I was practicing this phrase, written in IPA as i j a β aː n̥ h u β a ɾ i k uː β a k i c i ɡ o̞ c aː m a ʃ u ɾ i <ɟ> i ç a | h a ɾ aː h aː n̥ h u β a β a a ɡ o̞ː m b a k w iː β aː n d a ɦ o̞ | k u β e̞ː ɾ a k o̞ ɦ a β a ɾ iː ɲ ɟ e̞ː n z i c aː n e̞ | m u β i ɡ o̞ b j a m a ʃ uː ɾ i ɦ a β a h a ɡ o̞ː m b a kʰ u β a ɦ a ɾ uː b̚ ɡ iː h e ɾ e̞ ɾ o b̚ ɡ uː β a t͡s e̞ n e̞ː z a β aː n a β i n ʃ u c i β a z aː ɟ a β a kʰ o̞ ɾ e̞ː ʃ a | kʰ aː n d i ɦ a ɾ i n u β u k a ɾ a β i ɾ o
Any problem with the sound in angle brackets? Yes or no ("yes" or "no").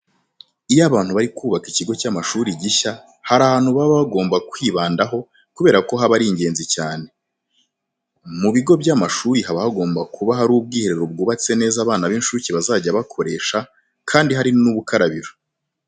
no